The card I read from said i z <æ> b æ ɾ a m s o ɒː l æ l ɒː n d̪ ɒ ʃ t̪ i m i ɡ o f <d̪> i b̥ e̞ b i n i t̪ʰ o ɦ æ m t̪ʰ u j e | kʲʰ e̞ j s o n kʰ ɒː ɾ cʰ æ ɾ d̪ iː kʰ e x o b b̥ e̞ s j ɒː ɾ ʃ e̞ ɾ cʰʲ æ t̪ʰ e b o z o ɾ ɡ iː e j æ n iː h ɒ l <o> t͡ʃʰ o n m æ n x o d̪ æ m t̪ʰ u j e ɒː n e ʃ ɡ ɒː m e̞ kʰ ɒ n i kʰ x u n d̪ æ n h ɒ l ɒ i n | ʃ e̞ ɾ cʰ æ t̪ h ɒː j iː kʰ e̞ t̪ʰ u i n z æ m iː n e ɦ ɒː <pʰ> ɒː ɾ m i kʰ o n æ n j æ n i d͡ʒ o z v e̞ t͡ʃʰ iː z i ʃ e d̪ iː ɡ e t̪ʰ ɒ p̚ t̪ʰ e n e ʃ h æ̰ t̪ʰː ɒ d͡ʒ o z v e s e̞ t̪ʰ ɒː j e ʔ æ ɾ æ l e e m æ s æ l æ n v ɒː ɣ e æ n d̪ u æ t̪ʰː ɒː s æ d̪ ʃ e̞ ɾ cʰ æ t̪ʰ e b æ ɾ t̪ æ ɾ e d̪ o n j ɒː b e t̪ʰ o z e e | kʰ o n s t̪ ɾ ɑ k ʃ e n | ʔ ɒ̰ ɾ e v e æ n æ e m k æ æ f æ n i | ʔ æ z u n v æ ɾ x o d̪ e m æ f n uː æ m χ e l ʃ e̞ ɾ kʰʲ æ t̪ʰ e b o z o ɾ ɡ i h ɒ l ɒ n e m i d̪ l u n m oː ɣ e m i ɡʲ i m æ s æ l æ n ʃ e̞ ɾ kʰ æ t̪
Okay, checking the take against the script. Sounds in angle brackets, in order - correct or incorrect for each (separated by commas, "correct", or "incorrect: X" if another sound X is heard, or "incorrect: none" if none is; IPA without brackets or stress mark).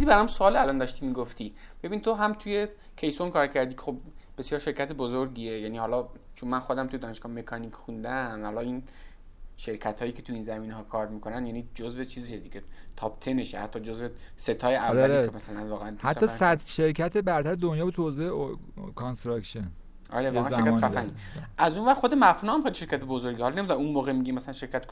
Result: incorrect: i, incorrect: t̪, incorrect: ɒ, incorrect: kʰ